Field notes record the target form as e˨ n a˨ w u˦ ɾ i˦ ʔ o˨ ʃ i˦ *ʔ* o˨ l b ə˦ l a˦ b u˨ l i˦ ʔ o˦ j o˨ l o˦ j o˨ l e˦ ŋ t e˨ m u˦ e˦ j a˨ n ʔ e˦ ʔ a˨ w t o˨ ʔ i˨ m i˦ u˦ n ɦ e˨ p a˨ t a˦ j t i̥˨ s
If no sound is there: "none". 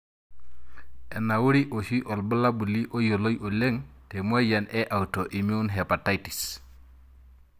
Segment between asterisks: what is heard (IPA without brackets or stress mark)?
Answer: ʔ